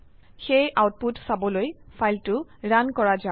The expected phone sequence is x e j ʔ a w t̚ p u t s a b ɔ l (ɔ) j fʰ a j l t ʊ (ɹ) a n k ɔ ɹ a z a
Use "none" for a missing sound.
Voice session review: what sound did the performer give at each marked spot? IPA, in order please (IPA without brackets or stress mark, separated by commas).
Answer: o, ɹ